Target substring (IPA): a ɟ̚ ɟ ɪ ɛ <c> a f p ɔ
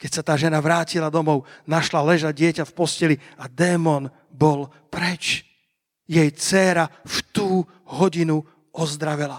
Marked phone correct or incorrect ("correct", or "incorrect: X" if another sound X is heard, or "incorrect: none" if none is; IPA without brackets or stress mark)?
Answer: correct